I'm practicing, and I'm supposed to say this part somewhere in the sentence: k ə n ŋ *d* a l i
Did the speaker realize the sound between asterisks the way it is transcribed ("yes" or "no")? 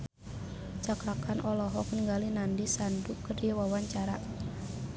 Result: no